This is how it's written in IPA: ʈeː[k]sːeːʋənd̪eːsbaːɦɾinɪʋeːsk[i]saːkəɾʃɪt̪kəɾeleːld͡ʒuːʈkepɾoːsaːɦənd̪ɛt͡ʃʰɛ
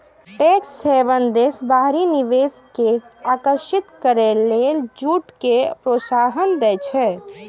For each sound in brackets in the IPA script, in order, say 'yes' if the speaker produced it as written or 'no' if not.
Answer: yes, no

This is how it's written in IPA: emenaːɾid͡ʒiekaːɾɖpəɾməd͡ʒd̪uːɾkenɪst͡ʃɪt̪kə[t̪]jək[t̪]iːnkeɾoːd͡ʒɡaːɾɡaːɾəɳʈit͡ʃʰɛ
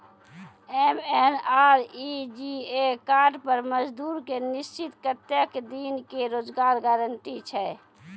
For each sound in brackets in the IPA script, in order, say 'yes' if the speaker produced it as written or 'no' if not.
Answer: yes, no

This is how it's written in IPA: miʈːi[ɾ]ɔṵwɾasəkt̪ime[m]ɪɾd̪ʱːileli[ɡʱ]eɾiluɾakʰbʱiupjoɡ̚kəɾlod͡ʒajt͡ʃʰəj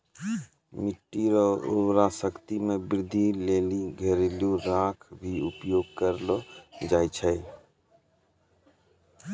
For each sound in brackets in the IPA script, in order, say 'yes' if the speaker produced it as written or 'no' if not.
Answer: yes, no, yes

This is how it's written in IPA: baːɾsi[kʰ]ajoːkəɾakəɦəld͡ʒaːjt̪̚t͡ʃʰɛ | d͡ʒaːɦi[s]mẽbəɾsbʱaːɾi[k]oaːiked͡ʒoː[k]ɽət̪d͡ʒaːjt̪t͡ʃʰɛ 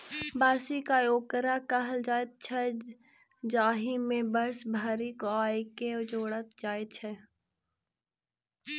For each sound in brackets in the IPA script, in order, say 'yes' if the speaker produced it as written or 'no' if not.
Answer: no, no, yes, no

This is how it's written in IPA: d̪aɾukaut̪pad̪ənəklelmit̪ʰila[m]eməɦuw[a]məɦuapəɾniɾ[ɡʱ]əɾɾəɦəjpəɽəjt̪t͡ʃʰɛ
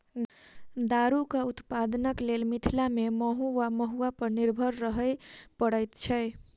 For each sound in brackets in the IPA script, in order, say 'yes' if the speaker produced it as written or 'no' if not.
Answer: yes, yes, no

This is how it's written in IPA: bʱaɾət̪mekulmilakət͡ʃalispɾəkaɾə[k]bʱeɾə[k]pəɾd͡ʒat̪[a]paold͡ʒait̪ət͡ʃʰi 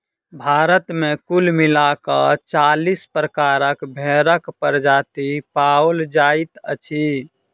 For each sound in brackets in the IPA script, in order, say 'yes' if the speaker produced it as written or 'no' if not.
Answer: yes, yes, no

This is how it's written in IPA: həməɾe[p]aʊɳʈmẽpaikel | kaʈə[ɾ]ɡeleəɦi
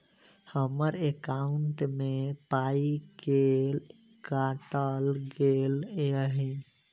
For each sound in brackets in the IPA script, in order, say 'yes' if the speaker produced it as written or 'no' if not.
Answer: no, no

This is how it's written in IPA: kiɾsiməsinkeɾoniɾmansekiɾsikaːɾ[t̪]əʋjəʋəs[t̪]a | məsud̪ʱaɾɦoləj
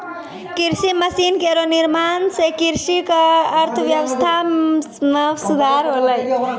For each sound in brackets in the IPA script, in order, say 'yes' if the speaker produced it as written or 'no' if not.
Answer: no, no

